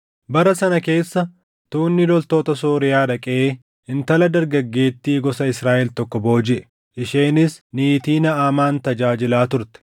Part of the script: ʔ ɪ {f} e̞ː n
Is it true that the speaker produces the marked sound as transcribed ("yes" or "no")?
no